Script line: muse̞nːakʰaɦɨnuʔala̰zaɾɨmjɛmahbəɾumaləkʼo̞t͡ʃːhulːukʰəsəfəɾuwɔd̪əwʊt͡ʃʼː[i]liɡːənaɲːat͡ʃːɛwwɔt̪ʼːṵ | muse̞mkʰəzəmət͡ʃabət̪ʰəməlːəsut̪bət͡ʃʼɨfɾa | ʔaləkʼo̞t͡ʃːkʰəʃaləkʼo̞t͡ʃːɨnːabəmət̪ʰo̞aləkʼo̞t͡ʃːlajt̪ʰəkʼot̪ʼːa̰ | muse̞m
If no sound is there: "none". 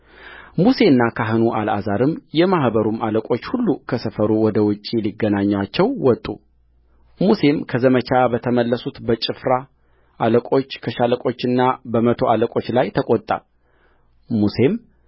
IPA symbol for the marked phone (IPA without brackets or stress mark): i